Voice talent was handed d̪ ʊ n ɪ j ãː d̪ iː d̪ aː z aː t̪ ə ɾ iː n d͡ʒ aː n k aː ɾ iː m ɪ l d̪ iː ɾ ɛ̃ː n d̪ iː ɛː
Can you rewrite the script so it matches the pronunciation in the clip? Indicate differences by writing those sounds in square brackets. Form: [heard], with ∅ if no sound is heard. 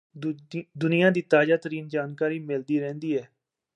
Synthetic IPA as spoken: d̪ ʊ n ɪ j ãː d̪ iː [t̪] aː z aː t̪ ə ɾ iː n d͡ʒ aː n k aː ɾ iː m ɪ l d̪ iː ɾ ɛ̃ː n d̪ iː ɛː